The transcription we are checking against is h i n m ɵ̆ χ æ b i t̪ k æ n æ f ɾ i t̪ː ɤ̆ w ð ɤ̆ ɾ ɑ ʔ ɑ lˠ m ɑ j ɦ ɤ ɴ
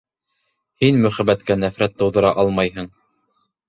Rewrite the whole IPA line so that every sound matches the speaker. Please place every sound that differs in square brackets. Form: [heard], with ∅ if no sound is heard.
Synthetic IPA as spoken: h i n m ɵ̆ χ æ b [æ] t̪ k æ n æ f ɾ [æ] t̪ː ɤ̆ w ð ɤ̆ ɾ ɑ ʔ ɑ lˠ m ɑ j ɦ ɤ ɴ